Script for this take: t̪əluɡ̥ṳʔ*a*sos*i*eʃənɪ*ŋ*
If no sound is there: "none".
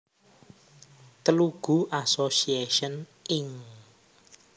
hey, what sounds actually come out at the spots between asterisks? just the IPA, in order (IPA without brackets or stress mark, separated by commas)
a, i, ŋ